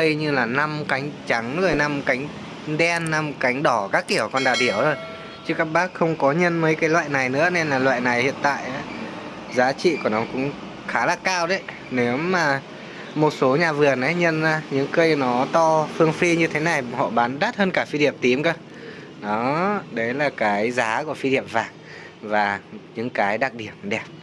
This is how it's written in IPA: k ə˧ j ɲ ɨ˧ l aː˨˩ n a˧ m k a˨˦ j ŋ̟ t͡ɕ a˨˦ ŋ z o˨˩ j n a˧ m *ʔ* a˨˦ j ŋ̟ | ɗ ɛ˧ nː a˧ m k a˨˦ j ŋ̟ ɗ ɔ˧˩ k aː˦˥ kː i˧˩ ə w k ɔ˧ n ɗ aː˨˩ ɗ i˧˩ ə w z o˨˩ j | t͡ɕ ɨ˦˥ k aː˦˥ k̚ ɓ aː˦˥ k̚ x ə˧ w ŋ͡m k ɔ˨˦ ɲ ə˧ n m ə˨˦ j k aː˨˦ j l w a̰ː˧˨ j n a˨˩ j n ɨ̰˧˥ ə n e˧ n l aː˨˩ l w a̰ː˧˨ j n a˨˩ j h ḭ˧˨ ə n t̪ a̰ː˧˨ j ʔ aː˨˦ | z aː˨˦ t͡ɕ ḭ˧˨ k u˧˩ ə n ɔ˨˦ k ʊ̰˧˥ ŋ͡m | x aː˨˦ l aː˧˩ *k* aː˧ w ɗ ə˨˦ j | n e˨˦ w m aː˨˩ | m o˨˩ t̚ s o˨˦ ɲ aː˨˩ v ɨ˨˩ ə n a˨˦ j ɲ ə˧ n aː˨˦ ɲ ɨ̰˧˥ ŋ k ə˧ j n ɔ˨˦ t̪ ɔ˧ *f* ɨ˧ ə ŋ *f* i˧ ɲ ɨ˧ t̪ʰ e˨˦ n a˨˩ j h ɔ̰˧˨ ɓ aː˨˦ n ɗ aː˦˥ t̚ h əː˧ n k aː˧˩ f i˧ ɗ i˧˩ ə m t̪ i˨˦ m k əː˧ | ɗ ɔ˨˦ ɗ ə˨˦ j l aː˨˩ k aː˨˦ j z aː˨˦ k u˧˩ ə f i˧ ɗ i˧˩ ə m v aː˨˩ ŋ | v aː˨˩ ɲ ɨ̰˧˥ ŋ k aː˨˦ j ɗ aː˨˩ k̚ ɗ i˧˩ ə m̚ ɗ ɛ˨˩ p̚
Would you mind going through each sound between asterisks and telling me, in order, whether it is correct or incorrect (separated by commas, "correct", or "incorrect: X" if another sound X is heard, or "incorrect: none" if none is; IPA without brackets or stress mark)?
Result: incorrect: k, correct, correct, correct